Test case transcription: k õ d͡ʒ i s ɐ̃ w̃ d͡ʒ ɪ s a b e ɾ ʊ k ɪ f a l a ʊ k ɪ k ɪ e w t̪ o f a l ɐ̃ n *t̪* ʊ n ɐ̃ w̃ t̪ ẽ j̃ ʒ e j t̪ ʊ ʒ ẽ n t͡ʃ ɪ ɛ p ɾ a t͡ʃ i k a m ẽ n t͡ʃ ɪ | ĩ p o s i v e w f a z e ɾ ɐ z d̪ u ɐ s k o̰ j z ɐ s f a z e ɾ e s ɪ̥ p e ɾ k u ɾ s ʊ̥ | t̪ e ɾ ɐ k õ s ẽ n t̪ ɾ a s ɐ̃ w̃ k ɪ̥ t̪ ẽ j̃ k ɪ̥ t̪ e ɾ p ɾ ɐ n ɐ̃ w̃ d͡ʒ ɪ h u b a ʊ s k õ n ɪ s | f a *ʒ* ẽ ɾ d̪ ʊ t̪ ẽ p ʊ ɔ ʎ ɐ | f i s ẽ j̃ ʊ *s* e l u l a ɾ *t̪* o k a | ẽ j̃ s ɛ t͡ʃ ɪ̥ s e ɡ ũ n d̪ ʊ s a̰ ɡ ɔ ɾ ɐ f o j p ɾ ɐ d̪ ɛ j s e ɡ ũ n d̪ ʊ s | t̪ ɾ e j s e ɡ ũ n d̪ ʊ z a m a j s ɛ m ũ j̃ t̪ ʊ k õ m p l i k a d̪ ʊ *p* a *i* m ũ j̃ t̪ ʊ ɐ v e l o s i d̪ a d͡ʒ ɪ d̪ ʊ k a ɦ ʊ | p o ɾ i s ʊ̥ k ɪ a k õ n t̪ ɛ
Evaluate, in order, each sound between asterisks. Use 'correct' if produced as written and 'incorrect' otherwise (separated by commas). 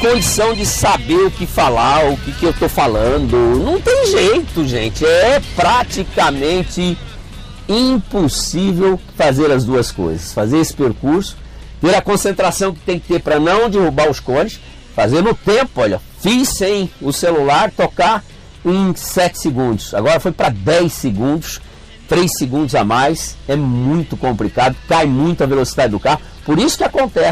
incorrect, incorrect, correct, correct, incorrect, incorrect